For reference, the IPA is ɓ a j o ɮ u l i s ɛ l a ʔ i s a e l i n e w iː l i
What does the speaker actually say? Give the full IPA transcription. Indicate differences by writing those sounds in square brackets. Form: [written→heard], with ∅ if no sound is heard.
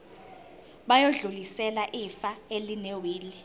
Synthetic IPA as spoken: ɓ a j o ɮ u l i s ɛ l a ʔ i [s→f] a e l i n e w iː l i

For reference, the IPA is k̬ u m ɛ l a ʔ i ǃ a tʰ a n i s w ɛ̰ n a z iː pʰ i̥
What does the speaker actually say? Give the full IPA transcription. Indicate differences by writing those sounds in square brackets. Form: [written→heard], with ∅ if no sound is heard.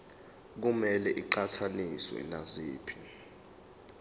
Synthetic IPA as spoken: k̬ u m ɛ l [a→ɛ] ʔ i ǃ a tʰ a n i s w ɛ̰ n a z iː pʰ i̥

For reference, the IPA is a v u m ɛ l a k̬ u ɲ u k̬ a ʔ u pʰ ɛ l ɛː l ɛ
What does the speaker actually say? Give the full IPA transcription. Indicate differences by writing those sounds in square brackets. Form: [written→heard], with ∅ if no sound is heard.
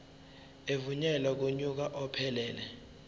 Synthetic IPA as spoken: [a→e] v u [m→ɲ] ɛ l a k̬ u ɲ u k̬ a ʔ [u→ɔ] pʰ ɛ l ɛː l ɛ

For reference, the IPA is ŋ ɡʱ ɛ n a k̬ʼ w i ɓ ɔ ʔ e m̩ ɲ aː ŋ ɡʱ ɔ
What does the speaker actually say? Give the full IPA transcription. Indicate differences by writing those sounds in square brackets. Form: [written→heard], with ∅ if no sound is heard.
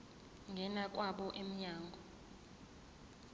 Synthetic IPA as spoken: ŋ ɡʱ ɛ n a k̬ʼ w [i→a] ɓ ɔ ʔ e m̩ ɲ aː ŋ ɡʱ ɔ

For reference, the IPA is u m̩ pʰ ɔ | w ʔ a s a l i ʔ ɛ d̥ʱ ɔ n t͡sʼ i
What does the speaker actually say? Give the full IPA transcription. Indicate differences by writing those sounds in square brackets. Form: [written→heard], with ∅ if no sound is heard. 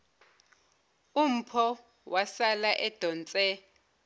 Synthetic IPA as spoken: u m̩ pʰ ɔ | w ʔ a s a l [i→a] ʔ ɛ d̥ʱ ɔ n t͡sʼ [i→ɛ]

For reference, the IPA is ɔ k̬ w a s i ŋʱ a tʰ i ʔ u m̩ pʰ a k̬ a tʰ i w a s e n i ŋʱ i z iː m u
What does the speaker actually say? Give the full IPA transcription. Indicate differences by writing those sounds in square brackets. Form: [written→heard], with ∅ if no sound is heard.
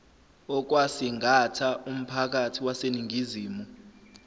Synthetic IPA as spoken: ɔ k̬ w a s i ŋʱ a tʰ [i→a] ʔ u m̩ pʰ a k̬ a tʰ i w a s e n i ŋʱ i z iː m u

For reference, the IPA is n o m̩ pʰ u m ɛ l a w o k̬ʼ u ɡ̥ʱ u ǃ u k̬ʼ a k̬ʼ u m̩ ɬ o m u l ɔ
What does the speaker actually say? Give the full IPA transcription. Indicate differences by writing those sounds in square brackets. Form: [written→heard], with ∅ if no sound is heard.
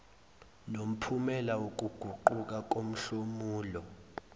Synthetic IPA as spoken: n o m̩ pʰ u m ɛ l a w o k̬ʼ u ɡ̥ʱ u ǃ u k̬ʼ a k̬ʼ [u→o] m̩ ɬ o m [u→uː] l ɔ

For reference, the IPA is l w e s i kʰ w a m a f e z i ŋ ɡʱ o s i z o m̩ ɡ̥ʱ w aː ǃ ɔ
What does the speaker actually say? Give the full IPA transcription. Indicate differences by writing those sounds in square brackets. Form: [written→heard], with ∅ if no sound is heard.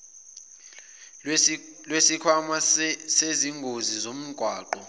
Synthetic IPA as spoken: l w e s i kʰ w a m a [f→s] e z i ŋ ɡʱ o [s→z] i z o m̩ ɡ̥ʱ w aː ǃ ɔ

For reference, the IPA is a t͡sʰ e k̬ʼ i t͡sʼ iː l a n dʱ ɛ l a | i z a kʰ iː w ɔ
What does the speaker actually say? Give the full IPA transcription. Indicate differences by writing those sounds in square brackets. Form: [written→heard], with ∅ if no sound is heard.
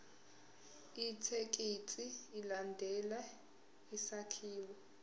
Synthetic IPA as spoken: [a→i] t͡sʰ e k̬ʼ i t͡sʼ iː l a n dʱ ɛ l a | i [z→s] a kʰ iː w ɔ

